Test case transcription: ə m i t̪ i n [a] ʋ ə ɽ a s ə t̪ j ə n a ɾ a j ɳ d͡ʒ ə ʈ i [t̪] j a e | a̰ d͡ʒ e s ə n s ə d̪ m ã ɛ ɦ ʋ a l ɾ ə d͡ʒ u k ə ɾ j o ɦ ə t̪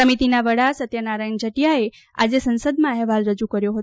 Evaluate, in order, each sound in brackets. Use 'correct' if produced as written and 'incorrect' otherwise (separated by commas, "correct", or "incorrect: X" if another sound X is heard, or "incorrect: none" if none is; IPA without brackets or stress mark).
correct, incorrect: none